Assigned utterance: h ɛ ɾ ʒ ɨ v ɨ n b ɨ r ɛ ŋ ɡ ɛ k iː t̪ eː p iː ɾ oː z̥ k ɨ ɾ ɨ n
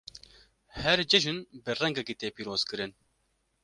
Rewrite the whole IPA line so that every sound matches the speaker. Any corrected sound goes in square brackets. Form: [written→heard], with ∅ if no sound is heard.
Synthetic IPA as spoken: h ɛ ɾ [ʒ→d͡ʒ] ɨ [v→ʒ] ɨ n b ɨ r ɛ ŋ ɡ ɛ k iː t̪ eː p iː ɾ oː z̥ k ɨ ɾ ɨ n